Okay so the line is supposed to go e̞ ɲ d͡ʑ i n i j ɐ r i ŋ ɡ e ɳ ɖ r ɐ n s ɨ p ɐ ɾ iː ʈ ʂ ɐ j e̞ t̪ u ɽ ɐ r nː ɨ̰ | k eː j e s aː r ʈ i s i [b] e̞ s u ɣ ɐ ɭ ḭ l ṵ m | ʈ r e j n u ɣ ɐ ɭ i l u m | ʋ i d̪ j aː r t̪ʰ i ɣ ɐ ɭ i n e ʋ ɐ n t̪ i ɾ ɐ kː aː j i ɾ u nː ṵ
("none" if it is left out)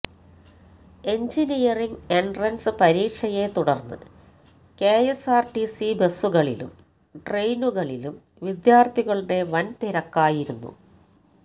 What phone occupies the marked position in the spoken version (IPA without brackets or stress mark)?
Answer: b